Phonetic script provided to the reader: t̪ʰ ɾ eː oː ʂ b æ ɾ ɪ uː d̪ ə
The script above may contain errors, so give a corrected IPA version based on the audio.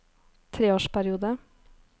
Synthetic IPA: t̪ʰ ɾ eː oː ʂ p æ ɾ ɪ uː d̪ ə